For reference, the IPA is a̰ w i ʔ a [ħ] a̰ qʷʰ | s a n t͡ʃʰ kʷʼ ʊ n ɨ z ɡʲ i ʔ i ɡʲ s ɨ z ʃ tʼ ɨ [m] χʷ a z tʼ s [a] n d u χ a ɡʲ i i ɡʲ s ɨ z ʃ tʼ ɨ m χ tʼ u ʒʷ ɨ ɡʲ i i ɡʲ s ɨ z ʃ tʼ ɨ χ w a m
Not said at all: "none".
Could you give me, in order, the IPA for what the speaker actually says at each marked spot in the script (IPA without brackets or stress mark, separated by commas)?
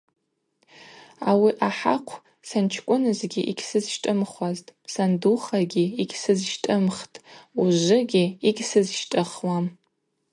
ħ, m, a